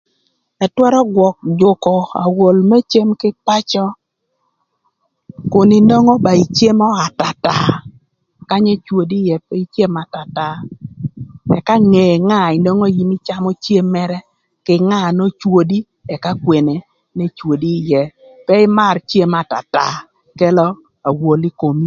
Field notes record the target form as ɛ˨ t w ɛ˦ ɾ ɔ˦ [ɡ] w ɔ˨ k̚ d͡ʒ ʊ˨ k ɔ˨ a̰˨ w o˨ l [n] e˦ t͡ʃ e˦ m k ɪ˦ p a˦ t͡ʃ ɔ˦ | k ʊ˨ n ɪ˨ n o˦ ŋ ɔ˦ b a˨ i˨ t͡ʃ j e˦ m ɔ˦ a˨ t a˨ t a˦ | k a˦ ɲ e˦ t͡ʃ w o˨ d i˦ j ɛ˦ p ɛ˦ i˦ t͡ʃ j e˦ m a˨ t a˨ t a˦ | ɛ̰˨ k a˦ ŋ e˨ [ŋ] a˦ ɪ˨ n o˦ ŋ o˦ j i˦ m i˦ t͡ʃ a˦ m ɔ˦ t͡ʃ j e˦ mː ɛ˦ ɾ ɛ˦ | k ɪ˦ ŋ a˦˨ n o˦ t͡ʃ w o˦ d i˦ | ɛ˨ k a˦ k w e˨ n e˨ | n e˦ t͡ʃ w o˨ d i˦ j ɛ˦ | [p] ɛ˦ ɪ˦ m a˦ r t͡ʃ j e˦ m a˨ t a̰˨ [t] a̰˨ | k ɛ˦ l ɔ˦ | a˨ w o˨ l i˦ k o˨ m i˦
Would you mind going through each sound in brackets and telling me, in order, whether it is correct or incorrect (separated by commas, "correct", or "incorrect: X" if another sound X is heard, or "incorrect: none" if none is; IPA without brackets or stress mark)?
correct, incorrect: m, correct, correct, correct